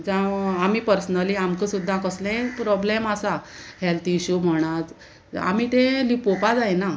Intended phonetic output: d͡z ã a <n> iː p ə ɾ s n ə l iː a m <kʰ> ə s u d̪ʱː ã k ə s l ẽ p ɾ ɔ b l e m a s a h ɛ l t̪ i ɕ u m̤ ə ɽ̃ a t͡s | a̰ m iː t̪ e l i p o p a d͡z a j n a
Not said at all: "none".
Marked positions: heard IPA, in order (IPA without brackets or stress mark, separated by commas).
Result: m, k